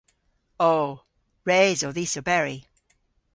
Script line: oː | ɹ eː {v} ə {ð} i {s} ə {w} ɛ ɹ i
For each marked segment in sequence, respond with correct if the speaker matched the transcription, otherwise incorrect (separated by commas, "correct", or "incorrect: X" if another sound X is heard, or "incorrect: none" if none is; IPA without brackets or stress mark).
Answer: incorrect: z, correct, correct, incorrect: b